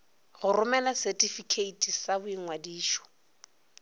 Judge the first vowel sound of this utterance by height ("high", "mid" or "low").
high